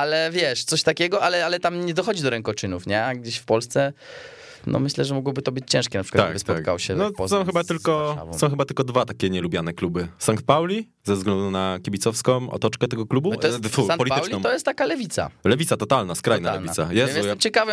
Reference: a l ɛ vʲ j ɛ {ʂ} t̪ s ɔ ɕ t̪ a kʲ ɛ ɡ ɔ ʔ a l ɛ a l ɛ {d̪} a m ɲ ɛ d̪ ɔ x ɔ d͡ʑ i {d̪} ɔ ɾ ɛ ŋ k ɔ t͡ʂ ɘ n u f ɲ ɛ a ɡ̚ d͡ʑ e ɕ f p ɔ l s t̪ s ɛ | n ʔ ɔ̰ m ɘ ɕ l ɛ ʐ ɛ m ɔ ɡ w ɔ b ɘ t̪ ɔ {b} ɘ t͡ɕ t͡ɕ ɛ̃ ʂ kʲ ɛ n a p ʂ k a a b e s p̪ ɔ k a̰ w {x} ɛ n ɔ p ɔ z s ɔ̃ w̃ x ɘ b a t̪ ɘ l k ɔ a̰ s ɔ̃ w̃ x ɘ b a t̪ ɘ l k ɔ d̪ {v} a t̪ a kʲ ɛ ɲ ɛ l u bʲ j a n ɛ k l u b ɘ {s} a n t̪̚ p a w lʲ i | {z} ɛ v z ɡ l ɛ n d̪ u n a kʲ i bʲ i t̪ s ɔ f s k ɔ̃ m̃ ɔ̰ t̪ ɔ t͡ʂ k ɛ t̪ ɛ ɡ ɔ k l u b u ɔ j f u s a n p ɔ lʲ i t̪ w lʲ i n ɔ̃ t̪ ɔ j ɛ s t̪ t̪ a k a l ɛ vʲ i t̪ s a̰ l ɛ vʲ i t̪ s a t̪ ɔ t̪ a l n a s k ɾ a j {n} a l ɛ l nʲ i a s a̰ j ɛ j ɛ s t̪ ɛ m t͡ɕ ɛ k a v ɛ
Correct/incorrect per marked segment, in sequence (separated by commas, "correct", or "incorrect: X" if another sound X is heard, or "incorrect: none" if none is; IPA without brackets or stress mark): correct, incorrect: t̪, correct, correct, incorrect: ɕ, correct, correct, correct, correct